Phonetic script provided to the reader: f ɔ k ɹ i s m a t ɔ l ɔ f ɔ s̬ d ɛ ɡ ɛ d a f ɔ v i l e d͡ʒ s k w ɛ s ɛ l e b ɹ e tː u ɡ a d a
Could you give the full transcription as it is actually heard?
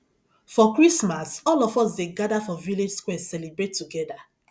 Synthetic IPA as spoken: f ɔ k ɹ i s m a s ɔ l ɔ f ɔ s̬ d e ɡ a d a f ɔ v i l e d͡ʒ s k w ɛ s ɛ l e b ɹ e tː u ɡ ɛ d a

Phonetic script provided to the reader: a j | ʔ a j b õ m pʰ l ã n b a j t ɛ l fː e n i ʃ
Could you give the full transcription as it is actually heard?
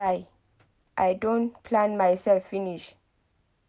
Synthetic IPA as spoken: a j | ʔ a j d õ n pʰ l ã n m a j s ɛ l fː i n i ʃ

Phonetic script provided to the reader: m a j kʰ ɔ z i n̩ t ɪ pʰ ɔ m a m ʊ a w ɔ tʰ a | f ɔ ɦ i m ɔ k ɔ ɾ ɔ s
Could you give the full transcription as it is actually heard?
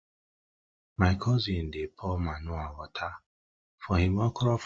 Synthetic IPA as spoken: m a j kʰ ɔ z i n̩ d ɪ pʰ ɔ m a n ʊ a w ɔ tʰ a | f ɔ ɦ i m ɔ k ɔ ɾ ɔ f

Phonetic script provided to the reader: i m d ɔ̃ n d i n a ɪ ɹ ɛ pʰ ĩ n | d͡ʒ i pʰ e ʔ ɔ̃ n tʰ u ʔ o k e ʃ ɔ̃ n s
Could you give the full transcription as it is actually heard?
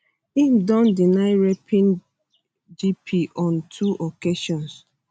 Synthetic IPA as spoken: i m d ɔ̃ n d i n a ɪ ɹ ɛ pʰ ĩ n | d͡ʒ i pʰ i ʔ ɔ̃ n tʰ u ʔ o k e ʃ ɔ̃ n s

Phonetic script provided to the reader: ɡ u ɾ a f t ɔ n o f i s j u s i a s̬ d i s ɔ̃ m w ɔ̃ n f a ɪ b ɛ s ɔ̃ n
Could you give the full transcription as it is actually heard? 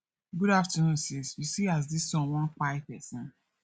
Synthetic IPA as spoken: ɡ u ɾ a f t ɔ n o s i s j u s i a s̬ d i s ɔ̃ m w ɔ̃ n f a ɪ p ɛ s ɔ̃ n

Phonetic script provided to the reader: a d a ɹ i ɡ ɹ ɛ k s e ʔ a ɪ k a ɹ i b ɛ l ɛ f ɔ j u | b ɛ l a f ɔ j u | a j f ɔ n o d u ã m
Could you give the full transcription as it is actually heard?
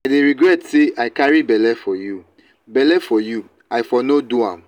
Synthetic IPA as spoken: a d e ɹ i ɡ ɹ ɛ t s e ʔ a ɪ k a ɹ i b ɛ l ɛ f ɔ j u | b ɛ l ɛ f ɔ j u | a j f ɔ n o d u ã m

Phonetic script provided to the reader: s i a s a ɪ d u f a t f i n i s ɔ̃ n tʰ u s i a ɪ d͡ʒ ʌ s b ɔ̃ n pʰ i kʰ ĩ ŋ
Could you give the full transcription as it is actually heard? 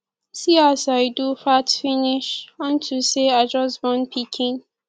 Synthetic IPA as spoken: s i a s a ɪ d u f a t f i n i ʃ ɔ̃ n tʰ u s e a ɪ d͡ʒ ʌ s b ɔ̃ n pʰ i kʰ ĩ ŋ

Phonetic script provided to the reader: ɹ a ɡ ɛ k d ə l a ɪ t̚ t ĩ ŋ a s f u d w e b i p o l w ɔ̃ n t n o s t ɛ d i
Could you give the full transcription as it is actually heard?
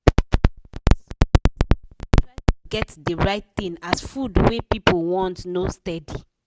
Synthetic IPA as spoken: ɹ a ɡ ɛ t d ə ɹ a ɪ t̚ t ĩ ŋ a s f u d w e p i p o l w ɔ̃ n t n o s t ɛ d i

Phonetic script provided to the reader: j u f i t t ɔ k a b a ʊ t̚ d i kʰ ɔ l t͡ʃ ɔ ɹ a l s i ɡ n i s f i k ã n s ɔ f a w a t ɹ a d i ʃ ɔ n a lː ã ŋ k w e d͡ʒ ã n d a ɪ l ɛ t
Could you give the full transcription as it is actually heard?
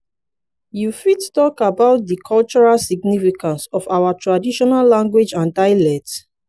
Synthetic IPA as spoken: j u f i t t ɔ k a b a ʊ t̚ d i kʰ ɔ l t͡ʃ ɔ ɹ a l s i ɡ n i f i k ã n s ɔ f a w a t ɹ a d i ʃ ɔ n a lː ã ŋ ɡ w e d͡ʒ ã n d a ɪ l ɛ t

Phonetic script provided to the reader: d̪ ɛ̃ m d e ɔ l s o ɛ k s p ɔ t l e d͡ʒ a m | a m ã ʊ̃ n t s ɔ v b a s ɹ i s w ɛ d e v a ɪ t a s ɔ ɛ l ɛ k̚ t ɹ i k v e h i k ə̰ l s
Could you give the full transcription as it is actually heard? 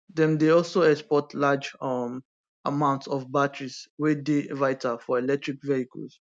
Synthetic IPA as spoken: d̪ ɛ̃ m d e ɔ l s o ɛ k s p ɔ t l a d͡ʒ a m | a m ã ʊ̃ n t s ɔ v b a t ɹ i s w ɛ d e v a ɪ t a f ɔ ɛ l ɛ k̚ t ɹ i k v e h i k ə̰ l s

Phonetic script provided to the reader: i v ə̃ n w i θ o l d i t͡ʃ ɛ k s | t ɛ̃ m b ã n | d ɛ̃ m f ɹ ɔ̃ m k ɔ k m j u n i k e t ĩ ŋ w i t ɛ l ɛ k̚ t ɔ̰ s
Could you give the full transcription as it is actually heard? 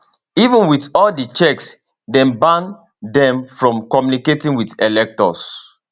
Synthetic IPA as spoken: i v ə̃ n w i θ ɔ l d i t͡ʃ ɛ k s | d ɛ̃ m b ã n | d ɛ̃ m f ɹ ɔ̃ m k ɔ m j u n i k e t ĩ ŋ w i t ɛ l ɛ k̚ t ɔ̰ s

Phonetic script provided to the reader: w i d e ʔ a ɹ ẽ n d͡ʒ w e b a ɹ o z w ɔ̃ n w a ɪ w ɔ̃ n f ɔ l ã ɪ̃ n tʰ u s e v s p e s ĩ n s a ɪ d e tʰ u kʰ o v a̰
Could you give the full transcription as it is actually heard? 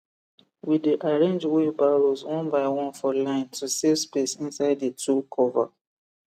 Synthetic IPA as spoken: w i d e ʔ a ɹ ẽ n d͡ʒ w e b a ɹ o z w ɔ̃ n b a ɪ w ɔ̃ n f ɔ l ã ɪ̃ n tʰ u s e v s p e s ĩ n s a ɪ d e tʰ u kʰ ɔ v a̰

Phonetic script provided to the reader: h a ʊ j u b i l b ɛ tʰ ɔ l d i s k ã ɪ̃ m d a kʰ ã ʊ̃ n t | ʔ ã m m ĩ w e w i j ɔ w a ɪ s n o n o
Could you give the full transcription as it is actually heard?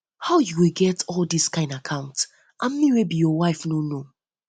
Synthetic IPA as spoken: h a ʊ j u w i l ɡ ɛ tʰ ɔ l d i s k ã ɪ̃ n d a kʰ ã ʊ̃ n t | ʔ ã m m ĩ w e b i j ɔ w a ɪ f n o n o

